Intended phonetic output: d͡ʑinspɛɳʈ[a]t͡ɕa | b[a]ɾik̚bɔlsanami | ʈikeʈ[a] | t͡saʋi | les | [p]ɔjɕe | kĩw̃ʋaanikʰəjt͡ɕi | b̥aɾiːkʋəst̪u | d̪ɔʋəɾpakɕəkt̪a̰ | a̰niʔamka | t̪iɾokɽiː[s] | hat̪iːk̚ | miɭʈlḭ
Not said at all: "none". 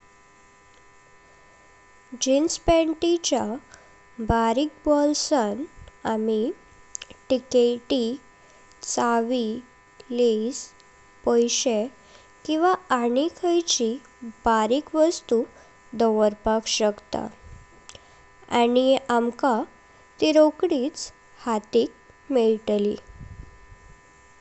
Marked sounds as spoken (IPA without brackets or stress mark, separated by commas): i, a, i, p, t͡s